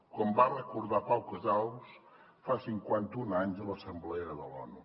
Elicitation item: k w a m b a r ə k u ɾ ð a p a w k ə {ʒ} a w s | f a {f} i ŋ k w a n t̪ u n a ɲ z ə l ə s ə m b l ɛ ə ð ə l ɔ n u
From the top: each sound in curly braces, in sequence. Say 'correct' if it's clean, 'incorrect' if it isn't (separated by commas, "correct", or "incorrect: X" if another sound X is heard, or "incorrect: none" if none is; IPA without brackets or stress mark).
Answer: incorrect: z, incorrect: s